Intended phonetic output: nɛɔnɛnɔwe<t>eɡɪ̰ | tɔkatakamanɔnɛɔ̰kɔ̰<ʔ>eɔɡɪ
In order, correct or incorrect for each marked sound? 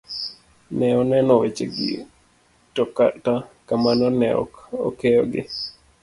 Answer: incorrect: t͡ʃ, incorrect: k

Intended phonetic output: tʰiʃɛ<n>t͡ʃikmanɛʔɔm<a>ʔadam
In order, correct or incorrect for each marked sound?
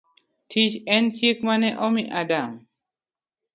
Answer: correct, incorrect: i

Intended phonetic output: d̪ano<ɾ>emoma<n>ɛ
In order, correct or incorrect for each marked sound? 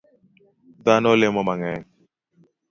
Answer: incorrect: l, incorrect: ŋ

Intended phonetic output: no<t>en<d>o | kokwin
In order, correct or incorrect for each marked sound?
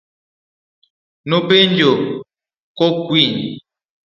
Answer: incorrect: p, incorrect: d͡ʒ

